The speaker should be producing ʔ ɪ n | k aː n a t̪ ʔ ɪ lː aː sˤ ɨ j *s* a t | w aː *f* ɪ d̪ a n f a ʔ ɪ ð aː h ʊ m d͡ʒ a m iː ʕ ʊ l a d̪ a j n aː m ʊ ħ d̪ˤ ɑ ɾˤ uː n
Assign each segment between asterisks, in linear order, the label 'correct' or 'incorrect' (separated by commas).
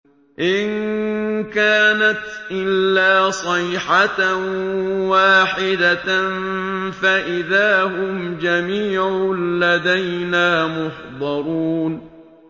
incorrect, incorrect